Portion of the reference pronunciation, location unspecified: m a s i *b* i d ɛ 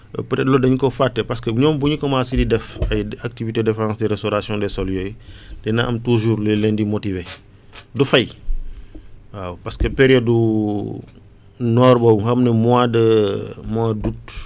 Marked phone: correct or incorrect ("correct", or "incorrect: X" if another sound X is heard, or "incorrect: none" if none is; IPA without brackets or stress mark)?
incorrect: d